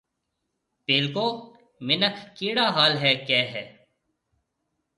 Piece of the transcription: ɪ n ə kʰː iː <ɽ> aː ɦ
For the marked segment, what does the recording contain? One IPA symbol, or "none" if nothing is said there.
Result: ɽ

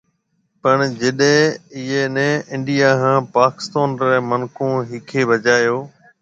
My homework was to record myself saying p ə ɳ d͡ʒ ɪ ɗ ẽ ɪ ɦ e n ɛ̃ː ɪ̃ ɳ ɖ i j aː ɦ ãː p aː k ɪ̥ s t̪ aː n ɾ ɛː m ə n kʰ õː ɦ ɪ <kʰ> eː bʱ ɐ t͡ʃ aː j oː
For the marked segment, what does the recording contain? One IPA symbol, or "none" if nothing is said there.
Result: kʰ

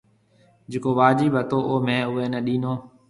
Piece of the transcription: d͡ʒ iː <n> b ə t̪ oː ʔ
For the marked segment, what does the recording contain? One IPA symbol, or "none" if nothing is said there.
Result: none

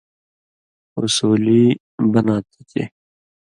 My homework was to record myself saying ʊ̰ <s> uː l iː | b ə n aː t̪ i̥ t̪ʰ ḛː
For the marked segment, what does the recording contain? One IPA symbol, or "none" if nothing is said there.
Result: s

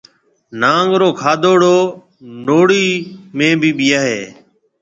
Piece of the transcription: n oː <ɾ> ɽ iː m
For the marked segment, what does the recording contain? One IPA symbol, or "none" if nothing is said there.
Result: none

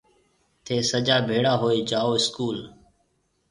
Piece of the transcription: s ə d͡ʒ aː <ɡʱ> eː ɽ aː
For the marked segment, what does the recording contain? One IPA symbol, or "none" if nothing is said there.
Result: bʱ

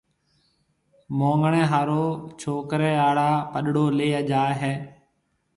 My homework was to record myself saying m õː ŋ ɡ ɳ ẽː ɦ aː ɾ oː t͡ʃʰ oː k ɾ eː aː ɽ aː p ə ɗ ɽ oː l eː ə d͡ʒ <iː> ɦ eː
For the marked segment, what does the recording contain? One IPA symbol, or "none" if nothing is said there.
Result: aː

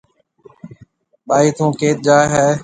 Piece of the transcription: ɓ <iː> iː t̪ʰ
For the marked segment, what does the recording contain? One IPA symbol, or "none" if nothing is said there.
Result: aː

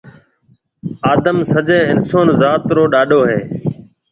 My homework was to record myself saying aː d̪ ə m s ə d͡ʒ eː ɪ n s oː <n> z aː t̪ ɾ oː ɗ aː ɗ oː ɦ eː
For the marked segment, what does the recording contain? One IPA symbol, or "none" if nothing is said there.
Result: n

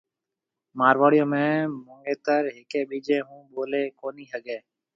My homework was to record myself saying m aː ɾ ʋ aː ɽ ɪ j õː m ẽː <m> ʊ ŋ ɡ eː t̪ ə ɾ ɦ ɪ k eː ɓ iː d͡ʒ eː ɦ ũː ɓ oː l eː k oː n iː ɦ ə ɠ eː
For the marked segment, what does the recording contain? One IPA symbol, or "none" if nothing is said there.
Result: m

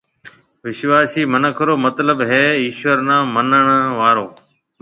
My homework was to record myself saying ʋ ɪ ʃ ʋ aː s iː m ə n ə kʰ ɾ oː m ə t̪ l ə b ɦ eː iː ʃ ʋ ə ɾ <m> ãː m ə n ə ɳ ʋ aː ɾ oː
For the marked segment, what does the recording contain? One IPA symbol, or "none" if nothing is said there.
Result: n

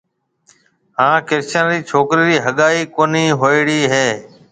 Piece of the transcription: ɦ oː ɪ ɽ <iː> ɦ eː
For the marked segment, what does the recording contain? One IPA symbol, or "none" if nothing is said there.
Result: iː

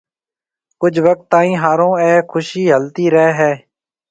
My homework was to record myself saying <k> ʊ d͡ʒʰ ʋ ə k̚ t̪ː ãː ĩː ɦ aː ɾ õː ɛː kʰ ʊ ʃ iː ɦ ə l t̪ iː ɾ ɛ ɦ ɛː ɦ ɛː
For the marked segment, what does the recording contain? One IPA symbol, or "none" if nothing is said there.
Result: k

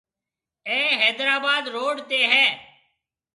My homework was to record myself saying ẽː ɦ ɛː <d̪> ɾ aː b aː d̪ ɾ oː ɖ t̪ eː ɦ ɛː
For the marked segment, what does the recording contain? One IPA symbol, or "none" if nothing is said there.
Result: d̪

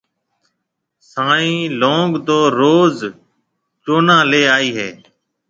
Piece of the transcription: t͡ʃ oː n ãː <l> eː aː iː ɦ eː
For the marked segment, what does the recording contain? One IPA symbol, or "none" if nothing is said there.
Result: l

